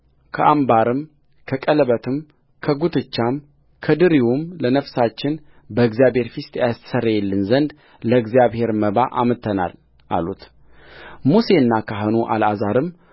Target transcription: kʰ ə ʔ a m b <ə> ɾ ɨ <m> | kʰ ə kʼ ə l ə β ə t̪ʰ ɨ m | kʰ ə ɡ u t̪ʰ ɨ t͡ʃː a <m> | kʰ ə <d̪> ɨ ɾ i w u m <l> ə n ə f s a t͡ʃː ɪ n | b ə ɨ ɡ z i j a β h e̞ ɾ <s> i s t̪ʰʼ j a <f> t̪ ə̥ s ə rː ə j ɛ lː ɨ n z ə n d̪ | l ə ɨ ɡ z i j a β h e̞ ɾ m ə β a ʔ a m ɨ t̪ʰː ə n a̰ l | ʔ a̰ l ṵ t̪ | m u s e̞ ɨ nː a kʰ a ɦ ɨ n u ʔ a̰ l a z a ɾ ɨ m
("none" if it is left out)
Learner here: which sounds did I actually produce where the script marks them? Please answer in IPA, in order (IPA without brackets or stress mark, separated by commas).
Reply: a, m, m, d̪, l, f, s